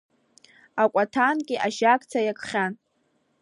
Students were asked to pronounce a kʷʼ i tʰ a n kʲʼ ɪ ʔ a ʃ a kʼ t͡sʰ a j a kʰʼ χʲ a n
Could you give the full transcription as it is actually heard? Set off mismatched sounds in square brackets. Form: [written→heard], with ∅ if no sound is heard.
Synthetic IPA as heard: a kʷʼ [i→a] tʰ a n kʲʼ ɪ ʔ a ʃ a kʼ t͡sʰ a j a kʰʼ χʲ a n